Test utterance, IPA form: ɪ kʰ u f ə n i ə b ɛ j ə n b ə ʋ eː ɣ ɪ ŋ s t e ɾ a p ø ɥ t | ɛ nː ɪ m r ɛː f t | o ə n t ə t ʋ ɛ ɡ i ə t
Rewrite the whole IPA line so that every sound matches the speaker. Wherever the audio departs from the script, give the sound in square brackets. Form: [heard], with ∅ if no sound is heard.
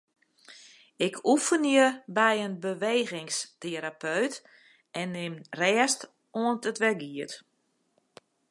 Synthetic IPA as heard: ɪ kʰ u f ə n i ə b ɛ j ə n b ə ʋ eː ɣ ɪ ŋ s t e ɾ a p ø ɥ t | ɛ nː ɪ m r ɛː [s] t | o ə n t ə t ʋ ɛ ɡ i ə t